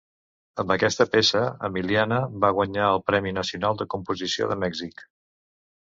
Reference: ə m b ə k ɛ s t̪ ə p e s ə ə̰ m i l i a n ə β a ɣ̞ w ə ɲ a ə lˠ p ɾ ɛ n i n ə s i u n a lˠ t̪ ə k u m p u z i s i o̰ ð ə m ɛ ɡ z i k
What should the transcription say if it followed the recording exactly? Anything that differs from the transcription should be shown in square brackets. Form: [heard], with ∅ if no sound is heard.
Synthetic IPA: ə m b ə k ɛ s t̪ ə p e s ə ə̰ m i l i a n ə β a ɣ̞ w ə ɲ a ə lˠ p ɾ ɛ [m] i n ə s i u n a lˠ [d̪] ə k u m p u z i s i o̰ ð ə m ɛ ɡ z i k